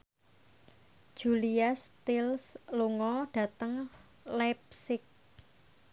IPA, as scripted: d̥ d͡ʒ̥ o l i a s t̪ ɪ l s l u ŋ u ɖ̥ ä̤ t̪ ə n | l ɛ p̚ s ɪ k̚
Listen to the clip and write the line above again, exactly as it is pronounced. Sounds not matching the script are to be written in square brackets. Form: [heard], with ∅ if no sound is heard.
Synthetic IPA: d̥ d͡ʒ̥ [u] l i a s t̪ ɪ l s l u ŋ [ɔ] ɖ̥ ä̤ t̪ ə [ŋ] | l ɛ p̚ s ɪ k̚